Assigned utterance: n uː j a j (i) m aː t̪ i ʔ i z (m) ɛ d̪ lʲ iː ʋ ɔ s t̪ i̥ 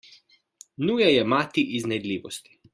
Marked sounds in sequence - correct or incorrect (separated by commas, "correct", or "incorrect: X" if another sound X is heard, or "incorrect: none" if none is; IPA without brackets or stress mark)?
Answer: incorrect: ɛ, incorrect: n